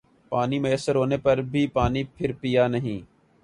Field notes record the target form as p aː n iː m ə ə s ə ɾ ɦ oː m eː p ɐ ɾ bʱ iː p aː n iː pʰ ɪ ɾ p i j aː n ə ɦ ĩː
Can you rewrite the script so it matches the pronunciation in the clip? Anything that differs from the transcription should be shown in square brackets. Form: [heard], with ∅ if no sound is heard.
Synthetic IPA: p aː n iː m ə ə s ə ɾ ɦ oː [n] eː p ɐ ɾ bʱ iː p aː n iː pʰ ɪ ɾ p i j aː n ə ɦ ĩː